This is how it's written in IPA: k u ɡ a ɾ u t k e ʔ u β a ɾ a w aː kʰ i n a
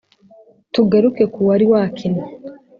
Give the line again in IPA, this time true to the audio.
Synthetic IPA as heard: t u ɡ a ɾ u k e k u w a ɾ i w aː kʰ i n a